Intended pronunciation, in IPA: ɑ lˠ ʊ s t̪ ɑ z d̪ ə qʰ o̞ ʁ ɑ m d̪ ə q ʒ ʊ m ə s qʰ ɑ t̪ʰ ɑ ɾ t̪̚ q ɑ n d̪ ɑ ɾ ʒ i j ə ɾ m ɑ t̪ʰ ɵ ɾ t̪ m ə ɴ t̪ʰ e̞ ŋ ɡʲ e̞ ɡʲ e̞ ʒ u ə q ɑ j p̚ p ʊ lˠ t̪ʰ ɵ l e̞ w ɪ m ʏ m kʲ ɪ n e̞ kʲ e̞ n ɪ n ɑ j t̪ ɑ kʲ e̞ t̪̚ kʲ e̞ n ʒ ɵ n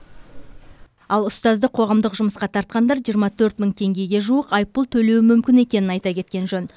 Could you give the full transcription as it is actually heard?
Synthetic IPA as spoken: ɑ lˠ ʊ s t̪ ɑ z d̪ ə qʰ o̞ ʁ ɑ m d̪ ə q ʒ ʊ m ə s q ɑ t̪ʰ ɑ ɾ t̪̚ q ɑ n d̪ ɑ ɾ ʒ i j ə ɾ m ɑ t̪ʰ ɵ ɾ t̪ m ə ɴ t̪ʰ e̞ ŋ ɡʲ e̞ ɡʲ e̞ ʒ u ə q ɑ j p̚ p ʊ lˠ t̪ʰ ɵ l e̞ w ɪ m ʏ m kʲ ɪ n e̞ kʲ e̞ n ɪ n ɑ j t̪ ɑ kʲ e̞ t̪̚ kʲ e̞ n ʒ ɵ n

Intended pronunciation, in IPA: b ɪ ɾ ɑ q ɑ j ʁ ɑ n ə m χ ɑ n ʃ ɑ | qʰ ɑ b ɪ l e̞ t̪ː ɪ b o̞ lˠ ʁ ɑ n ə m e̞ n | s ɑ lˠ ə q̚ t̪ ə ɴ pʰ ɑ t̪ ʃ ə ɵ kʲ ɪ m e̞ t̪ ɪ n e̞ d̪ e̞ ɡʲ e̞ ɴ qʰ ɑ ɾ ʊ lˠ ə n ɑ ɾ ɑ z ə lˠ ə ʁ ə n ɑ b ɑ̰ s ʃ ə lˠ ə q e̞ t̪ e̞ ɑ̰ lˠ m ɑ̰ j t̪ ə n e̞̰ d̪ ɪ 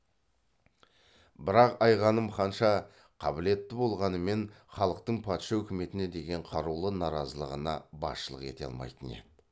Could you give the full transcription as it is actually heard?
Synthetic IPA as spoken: b ɪ ɾ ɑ q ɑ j ʁ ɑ n ə m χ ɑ n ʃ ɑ | qʰ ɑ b ɪ l e̞ t̪ː ɪ b o̞ lˠ ʁ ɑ n ə m e̞ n | χ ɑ lˠ ə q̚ t̪ ə ɴ pʰ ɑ t̪ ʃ ɑ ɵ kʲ ɪ m e̞ t̪ ɪ n e̞ d̪ e̞ ɡʲ e̞ ɴ qʰ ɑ ɾ u lˠ ə n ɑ ɾ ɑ z ə lˠ ə ʁ ə n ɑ b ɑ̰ s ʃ ə lˠ ə q e̞ t̪ e̞ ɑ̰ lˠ m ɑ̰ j t̪ ə n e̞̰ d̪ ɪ

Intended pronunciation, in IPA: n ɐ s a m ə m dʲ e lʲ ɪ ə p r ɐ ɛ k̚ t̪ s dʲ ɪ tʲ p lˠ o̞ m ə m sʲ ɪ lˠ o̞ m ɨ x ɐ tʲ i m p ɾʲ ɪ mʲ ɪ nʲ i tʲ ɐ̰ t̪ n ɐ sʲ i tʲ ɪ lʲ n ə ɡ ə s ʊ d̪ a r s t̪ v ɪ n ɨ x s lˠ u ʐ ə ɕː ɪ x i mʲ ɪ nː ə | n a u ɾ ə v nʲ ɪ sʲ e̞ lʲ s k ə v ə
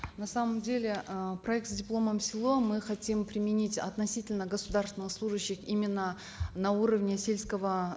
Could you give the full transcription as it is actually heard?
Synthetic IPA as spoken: n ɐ s a m ə m dʲ e lʲ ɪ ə p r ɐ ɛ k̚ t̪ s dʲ ɪ p lˠ o̞ m ə m sʲ ɪ lˠ o̞ m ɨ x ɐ tʲ i m p ɾʲ ɪ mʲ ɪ nʲ i tʲ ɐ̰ t̪ n ɐ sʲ i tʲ ɪ lʲ n ə ɡ ə s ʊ d̪ a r s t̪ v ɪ n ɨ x s lˠ u ʐ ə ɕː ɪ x i mʲ ɪ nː ə | n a u ɾ ə v nʲ ɪ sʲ e̞ lʲ s k ə v ə

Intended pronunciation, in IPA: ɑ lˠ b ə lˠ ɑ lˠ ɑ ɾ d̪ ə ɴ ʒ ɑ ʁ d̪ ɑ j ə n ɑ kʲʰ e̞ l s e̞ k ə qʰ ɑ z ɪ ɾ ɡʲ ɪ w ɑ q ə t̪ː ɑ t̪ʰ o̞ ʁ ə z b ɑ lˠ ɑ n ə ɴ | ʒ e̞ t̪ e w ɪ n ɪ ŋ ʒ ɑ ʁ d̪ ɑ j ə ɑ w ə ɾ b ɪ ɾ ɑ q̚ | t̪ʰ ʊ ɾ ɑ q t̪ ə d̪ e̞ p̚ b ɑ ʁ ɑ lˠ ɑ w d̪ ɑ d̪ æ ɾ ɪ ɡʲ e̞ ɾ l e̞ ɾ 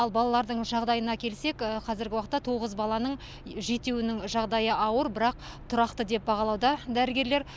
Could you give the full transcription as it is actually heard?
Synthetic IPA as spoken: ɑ lˠ b ɑ lˠ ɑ lˠ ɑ ɾ d̪ ə ɴ ʒ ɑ ʁ d̪ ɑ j ə n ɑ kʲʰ e̞ l s e̞ k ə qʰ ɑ z ɪ ɾ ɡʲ ɪ w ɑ q ə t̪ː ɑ t̪ʰ o̞ ʁ ə z b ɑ lˠ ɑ n ə ɴ | ʒ e̞ t̪ e w ɪ n ɪ ŋ ʒ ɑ ʁ d̪ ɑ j ə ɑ w ə ɾ b ɪ ɾ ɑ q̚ | t̪ʰ ʊ ɾ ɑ q t̪ ə d̪ e̞ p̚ b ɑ ʁ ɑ lˠ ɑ w d̪ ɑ d̪ æ ɾ ɪ ɡʲ e̞ ɾ l e̞ ɾ

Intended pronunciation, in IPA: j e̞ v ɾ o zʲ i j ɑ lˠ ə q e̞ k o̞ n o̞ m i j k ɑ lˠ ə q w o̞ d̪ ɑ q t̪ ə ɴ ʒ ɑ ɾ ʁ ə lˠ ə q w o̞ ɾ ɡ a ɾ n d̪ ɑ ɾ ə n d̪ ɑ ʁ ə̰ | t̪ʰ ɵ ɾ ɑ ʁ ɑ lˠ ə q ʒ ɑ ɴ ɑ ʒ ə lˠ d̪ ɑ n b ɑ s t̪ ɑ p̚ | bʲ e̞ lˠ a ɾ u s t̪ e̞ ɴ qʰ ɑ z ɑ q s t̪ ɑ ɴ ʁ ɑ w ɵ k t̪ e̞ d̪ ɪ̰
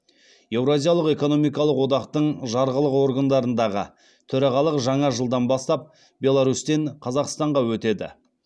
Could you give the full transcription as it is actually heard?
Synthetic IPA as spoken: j e̞ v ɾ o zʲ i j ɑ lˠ ə q e̞ k o̞ n o̞ m i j k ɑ lˠ ə q w o̞ d̪ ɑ q t̪ ə ɴ ʒ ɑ ɾ ʁ ə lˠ ə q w o̞ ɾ ɡ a n d̪ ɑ ɾ ə n d̪ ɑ ʁ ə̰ | t̪ʰ ɵ ɾ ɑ ʁ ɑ lˠ ə q ʒ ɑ ɴ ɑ ʒ ə lˠ d̪ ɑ n b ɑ s t̪ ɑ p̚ | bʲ e̞ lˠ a ɾ u s t̪ e̞ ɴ qʰ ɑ z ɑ q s t̪ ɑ ɴ ʁ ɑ w ɵ t̪ e̞ d̪ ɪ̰

